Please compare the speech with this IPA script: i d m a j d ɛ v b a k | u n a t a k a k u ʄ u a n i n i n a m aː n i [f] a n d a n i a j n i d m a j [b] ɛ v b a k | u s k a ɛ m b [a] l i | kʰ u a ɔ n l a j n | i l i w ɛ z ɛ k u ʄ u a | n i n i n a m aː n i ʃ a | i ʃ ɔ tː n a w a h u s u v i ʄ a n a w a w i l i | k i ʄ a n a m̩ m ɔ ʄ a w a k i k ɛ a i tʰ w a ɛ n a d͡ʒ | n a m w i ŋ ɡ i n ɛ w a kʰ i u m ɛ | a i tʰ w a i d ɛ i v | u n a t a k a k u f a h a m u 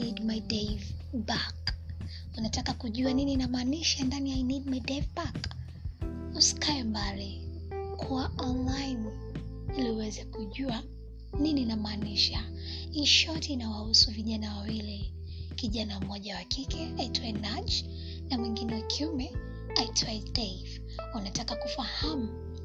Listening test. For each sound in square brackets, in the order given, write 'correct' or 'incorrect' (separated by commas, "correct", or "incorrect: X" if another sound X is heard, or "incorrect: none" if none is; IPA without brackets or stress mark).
incorrect: ʃ, incorrect: d, correct